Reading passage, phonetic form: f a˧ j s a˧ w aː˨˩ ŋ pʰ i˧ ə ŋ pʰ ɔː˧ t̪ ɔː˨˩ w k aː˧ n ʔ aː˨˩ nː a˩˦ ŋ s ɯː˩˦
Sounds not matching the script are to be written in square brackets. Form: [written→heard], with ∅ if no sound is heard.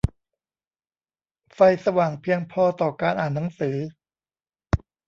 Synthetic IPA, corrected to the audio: f a˧ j s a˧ w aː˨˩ ŋ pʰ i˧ ə ŋ pʰ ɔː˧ t̪ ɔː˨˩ [w→∅] k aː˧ n ʔ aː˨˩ nː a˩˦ ŋ s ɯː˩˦

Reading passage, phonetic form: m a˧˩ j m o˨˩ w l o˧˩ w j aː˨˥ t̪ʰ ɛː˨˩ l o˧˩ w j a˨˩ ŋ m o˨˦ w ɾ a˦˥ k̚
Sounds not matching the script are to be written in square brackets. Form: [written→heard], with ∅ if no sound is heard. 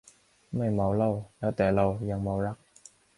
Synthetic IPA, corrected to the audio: m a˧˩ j m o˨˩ w l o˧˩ w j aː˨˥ [t̪ʰ→t̪] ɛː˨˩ l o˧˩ w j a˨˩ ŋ m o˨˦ w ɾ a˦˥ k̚

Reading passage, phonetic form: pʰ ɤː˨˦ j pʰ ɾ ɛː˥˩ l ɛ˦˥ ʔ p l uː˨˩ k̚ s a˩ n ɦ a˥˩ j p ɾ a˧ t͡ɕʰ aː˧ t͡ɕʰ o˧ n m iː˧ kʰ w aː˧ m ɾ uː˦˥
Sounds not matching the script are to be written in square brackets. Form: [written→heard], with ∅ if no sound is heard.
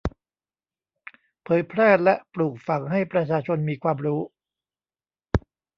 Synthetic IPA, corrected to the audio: pʰ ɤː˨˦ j pʰ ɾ ɛː˥˩ l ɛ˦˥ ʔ p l uː˨˩ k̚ [s→f] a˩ [n→ŋ] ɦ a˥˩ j p ɾ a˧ t͡ɕʰ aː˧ t͡ɕʰ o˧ n m iː˧ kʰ w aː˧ m ɾ uː˦˥

